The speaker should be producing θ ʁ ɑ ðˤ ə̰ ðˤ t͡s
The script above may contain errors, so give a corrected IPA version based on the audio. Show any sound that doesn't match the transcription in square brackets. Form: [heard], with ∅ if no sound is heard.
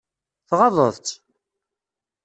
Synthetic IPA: θ ʁ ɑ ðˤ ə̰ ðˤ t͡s